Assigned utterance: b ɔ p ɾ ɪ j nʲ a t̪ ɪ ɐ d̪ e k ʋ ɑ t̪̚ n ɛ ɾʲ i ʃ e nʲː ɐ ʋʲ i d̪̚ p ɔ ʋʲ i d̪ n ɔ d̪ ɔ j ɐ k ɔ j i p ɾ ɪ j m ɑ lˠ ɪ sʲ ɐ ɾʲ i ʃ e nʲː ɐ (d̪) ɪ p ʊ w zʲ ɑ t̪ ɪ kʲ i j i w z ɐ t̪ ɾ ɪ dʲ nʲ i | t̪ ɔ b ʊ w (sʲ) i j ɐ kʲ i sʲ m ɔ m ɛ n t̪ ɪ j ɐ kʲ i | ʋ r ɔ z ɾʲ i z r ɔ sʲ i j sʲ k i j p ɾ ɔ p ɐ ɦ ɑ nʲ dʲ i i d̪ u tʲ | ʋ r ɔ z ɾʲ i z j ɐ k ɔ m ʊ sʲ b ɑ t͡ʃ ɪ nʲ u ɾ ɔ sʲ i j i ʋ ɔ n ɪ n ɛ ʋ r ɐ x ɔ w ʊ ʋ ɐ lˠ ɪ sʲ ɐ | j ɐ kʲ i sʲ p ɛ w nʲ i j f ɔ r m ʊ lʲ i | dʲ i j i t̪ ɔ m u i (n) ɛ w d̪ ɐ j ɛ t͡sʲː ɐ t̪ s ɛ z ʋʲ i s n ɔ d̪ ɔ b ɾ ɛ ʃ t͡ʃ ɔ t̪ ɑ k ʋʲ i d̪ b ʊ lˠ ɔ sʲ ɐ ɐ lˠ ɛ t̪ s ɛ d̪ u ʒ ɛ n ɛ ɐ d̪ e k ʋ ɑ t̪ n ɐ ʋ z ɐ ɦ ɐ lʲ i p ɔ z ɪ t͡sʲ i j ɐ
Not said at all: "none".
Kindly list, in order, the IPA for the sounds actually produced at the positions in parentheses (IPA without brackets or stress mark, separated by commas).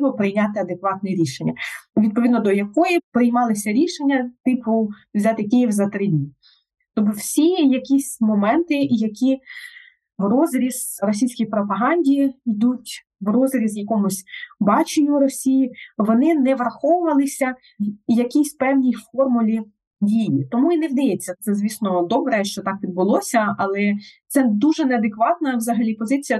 t̪, sʲ, n